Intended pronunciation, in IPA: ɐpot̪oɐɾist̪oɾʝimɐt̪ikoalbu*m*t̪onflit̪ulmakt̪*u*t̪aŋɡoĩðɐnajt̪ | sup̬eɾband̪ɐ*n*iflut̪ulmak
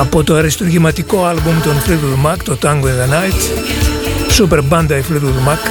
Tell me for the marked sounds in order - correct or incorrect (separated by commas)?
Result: correct, incorrect, incorrect